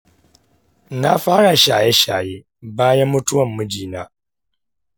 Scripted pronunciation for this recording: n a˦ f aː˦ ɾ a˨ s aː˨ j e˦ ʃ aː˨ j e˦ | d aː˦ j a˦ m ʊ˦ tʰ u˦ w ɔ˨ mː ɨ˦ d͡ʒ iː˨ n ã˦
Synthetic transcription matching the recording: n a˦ f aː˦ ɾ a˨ ʃ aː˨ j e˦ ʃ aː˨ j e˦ | b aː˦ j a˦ m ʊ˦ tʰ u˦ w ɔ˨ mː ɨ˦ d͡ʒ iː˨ n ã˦